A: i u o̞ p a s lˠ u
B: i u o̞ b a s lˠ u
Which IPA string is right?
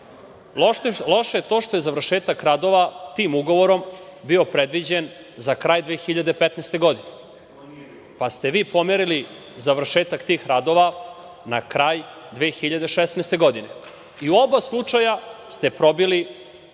B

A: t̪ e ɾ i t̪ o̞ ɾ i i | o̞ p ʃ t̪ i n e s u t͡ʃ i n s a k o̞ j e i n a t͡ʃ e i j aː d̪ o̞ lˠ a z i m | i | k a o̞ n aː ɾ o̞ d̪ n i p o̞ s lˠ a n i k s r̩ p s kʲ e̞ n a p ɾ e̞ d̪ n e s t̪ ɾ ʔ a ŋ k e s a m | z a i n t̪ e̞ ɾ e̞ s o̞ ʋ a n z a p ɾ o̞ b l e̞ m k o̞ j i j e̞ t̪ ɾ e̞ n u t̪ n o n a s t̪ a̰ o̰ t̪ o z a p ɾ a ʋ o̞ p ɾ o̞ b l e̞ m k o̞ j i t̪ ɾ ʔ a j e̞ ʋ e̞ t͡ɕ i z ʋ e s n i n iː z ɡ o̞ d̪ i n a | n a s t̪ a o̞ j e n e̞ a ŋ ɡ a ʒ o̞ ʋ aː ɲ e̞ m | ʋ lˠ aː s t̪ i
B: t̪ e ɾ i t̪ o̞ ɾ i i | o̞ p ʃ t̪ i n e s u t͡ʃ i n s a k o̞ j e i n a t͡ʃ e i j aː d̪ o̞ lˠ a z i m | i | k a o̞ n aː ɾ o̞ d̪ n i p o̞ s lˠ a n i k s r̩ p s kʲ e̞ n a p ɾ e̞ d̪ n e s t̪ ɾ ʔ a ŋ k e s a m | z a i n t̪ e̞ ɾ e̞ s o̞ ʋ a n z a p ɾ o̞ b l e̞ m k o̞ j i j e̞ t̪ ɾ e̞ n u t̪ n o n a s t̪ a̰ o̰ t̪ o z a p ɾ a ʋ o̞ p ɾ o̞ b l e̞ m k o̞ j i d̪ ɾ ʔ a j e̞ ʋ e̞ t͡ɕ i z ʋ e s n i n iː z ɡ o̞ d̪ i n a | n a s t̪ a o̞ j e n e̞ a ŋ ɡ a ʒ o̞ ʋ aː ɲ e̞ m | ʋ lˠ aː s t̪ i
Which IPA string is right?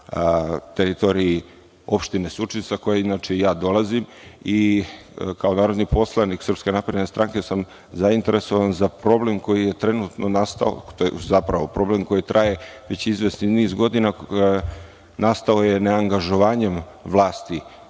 A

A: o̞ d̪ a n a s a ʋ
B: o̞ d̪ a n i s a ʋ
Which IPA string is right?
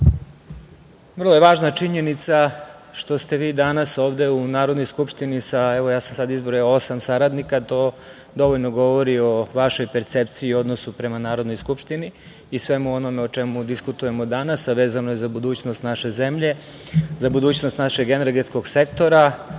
A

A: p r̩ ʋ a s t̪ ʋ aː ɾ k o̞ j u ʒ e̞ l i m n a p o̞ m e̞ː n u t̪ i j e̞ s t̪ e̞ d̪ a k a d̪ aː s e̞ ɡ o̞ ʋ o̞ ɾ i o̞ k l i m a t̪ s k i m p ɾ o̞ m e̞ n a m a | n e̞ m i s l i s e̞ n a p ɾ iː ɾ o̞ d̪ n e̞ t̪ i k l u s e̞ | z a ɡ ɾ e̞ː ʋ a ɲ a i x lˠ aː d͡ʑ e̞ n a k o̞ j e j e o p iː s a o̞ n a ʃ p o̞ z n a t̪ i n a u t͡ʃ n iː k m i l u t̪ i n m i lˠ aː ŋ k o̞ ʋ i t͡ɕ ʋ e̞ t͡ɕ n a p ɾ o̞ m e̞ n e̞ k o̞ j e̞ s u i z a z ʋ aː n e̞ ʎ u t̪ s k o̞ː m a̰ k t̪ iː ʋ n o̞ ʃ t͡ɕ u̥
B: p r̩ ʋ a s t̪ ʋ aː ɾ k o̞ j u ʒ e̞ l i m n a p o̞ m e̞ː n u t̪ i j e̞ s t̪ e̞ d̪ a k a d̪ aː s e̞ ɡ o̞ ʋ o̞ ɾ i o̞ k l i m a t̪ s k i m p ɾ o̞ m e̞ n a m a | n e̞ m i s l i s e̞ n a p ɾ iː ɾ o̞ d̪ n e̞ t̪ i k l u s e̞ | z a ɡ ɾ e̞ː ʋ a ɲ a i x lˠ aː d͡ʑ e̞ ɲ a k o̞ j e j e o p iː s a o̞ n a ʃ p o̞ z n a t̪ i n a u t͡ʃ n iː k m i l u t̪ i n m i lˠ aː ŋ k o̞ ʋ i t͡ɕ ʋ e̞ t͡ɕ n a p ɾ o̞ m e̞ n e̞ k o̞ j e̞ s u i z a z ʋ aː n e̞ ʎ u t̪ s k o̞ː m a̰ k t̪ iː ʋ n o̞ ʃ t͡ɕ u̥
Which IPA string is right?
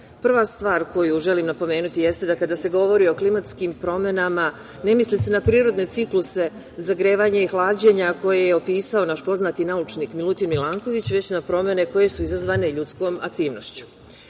B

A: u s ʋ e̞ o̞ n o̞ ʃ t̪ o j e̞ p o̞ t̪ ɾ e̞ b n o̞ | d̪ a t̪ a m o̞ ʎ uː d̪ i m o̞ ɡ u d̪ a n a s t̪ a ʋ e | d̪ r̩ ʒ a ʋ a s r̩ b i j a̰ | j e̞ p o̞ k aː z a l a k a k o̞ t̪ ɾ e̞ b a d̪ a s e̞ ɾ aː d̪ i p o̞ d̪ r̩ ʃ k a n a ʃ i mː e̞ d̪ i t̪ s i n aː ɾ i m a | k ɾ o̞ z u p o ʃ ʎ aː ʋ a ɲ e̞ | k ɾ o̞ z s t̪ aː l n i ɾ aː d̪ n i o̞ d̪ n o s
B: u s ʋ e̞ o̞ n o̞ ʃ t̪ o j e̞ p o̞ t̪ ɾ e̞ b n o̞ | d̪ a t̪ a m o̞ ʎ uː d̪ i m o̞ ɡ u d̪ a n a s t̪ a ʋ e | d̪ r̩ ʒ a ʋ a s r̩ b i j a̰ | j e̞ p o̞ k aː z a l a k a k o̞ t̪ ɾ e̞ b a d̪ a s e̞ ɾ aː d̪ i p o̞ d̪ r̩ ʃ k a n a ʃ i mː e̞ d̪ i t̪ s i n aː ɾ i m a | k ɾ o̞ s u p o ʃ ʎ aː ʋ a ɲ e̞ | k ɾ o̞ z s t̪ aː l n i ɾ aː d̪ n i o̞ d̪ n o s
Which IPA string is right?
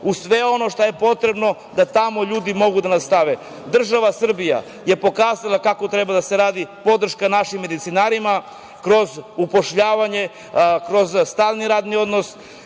A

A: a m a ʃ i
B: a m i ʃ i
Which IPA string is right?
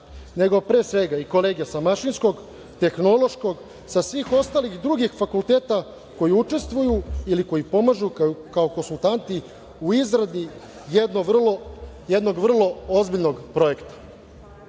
A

